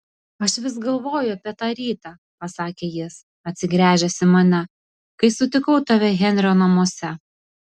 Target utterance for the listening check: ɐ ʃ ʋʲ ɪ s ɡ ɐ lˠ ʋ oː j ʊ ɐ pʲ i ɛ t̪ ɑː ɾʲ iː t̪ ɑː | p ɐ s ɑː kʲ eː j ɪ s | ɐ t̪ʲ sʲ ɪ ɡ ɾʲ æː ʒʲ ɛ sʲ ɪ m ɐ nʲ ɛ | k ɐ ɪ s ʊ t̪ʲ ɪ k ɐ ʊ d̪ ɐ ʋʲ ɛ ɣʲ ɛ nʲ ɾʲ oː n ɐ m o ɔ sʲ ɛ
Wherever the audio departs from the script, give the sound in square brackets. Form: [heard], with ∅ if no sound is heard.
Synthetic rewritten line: ɐ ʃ ʋʲ ɪ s ɡ ɐ lˠ ʋ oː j ʊ ɐ pʲ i ɛ t̪ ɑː ɾʲ iː t̪ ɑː | p ɐ s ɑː kʲ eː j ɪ s | ɐ t̪ʲ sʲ ɪ ɡ ɾʲ æː ʒʲ ɛ sʲ ɪ m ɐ nʲ ɛ | k ɐ ɪ s ʊ t̪ʲ ɪ k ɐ ʊ [t̪] ɐ ʋʲ ɛ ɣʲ ɛ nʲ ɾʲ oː n ɐ m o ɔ sʲ ɛ